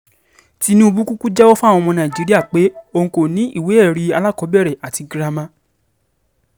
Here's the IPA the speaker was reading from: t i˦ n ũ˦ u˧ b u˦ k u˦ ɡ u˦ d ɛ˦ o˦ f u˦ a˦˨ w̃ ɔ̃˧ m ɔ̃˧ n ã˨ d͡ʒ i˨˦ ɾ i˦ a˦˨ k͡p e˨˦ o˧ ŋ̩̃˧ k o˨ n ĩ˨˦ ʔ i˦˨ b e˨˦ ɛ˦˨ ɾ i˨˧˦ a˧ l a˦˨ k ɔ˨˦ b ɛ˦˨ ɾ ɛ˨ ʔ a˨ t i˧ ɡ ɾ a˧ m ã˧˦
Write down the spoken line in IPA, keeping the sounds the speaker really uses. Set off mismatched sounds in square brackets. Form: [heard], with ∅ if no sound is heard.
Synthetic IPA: t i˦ n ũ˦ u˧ b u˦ k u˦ [k] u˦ [d͡ʒ] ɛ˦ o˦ f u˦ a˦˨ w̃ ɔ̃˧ m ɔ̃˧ n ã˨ d͡ʒ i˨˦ ɾ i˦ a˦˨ k͡p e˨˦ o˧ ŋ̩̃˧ k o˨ n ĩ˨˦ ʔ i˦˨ [w] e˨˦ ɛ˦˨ ɾ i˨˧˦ a˧ l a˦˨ k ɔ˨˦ b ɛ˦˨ ɾ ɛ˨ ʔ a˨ t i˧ ɡ ɾ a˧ m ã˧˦